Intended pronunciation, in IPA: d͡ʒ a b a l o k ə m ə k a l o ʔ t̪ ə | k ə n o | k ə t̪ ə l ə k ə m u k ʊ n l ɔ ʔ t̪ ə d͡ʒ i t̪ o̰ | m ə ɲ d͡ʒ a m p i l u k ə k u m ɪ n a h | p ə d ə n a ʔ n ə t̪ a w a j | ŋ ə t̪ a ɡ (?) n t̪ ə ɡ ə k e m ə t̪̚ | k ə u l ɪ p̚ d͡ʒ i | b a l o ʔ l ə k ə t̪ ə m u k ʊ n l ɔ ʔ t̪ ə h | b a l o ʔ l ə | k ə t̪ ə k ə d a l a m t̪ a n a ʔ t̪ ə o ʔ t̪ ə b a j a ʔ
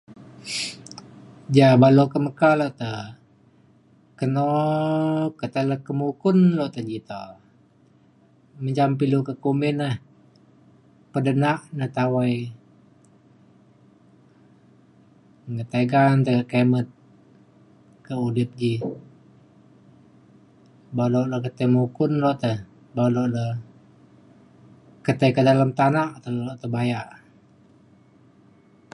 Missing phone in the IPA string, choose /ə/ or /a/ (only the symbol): a